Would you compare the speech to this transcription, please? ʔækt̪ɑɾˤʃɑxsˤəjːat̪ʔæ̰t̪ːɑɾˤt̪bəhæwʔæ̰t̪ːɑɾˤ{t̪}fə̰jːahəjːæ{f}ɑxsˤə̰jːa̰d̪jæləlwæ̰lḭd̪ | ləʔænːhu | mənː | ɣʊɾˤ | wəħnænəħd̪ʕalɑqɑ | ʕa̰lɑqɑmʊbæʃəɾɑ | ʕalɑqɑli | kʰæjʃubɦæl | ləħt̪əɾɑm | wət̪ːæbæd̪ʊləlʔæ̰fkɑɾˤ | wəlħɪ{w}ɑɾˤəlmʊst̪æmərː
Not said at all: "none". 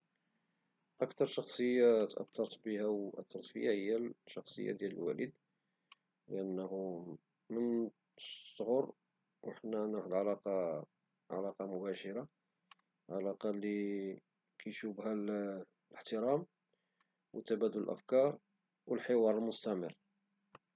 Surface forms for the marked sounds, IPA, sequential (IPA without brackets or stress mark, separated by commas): t̪, ʃ, w